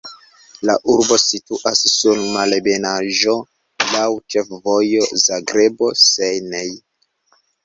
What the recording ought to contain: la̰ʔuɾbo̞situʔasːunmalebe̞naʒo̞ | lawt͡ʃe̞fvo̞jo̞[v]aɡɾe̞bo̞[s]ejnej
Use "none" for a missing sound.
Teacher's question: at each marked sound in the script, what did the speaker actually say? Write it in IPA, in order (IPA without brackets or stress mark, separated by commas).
z, s